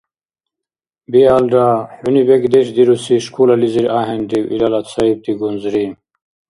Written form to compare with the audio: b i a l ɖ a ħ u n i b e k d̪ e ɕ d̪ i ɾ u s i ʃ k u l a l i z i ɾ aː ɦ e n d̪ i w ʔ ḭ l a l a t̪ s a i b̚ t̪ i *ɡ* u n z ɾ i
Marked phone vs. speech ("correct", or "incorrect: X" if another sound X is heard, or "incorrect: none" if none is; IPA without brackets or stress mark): correct